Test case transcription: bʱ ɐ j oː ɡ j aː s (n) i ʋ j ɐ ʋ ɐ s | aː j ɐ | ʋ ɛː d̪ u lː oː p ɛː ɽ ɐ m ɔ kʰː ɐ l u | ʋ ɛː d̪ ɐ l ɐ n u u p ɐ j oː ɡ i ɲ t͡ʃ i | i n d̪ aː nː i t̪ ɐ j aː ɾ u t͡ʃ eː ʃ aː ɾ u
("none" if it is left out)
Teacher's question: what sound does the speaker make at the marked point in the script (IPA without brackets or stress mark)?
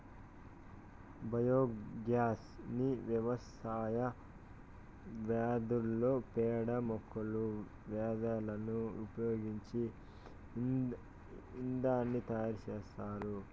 n